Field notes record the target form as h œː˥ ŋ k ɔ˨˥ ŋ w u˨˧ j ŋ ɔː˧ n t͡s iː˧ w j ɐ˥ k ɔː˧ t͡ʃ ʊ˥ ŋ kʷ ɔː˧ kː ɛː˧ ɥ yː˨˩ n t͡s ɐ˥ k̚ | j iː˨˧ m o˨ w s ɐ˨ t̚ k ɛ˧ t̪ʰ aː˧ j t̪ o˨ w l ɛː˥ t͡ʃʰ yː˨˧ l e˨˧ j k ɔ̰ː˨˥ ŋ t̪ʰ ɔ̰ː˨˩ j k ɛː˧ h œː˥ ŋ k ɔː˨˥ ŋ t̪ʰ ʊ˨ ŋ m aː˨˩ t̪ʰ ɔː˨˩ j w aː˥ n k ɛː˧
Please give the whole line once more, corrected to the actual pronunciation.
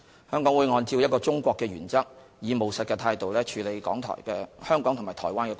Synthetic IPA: h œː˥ ŋ k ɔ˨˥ ŋ w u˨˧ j ŋ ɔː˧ n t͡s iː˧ w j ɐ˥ k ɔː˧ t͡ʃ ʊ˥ ŋ kʷ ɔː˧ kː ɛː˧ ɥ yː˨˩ n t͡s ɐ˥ k̚ | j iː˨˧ m o˨ w s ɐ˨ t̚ k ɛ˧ t̪ʰ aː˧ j t̪ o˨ w l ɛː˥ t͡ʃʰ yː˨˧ l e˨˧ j k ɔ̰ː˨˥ ŋ t̪ʰ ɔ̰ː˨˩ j k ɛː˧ h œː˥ ŋ k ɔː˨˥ ŋ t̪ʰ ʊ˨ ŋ m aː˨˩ t̪ʰ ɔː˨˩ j w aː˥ n k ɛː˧